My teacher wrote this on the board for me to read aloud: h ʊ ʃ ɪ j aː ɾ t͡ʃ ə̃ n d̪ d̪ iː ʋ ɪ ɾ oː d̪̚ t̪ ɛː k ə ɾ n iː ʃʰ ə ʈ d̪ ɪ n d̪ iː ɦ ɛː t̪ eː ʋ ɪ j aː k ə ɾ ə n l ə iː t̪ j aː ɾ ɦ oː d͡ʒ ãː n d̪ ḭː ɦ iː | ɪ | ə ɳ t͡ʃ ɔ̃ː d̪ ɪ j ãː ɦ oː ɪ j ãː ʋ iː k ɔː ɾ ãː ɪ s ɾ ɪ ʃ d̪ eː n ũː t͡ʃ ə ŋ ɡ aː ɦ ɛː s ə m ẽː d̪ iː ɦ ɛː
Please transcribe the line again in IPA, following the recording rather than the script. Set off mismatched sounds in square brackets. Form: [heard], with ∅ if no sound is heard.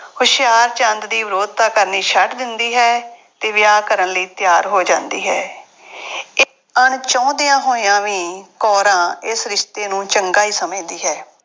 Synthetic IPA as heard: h ʊ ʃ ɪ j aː ɾ t͡ʃ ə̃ n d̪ d̪ iː ʋ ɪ ɾ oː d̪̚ t̪ [aː] k ə ɾ n iː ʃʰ ə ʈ d̪ ɪ n d̪ iː ɦ ɛː t̪ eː ʋ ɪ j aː k ə ɾ ə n l ə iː t̪ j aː ɾ ɦ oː d͡ʒ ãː n d̪ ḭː ɦ [ɛː] | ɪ | ə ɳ t͡ʃ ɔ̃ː d̪ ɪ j ãː ɦ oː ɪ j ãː ʋ iː k ɔː ɾ ãː ɪ s ɾ ɪ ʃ [t̪] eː n ũː t͡ʃ ə ŋ ɡ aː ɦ [iː] s ə m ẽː d̪ iː ɦ ɛː